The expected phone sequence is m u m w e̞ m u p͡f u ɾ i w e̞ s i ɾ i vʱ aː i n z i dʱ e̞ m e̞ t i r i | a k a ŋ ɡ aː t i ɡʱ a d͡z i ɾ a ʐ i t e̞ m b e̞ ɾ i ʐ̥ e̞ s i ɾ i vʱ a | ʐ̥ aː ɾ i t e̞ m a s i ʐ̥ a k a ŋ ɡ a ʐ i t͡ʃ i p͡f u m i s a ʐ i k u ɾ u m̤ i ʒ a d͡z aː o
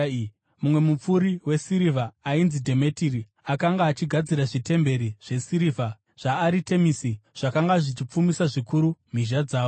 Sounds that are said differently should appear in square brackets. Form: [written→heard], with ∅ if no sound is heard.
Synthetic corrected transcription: m u m w e̞ m u p͡f u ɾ i w e̞ s i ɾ i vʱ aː i n z i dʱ e̞ m e̞ t i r i | a k a ŋ ɡ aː [t→t͡ʃ] i ɡʱ a d͡z i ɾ a ʐ i t e̞ m b e̞ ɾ i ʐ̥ e̞ s i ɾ i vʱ a | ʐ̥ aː ɾ i t e̞ m [a→i] s i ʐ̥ a k a ŋ ɡ a ʐ i t͡ʃ i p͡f u m i s a ʐ i k u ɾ u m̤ i ʒ a d͡z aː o